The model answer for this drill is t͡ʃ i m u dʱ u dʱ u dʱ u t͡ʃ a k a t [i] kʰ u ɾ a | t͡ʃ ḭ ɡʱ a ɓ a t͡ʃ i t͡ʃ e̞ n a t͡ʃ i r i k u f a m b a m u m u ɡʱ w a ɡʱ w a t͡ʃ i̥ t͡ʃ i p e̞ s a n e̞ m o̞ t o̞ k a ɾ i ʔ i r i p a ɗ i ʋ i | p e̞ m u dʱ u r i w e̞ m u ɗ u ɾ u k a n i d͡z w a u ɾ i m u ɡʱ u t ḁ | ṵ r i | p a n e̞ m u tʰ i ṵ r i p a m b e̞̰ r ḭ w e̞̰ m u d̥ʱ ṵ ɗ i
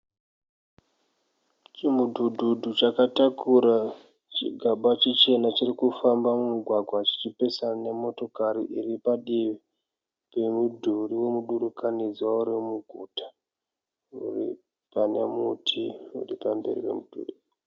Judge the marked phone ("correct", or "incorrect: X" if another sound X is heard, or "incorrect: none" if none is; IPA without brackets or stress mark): incorrect: a